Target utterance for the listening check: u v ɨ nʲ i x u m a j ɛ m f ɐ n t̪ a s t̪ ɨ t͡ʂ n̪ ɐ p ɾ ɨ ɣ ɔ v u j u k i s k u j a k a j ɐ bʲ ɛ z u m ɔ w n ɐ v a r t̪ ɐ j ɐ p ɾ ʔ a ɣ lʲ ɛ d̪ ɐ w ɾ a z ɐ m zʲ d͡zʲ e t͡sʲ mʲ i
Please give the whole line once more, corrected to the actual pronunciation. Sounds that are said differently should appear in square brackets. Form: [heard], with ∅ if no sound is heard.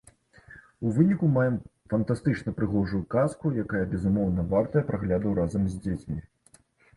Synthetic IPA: u v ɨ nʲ i [k] u m a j ɛ m f ɐ n t̪ a s t̪ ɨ t͡ʂ n̪ ɐ p ɾ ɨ ɣ ɔ [ʐ] u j u k [a] s k u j a k a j ɐ bʲ ɛ z u m ɔ w n ɐ v a r t̪ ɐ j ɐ p ɾ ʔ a ɣ lʲ [a] d̪ ɐ w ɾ a z ɐ m zʲ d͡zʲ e t͡sʲ mʲ i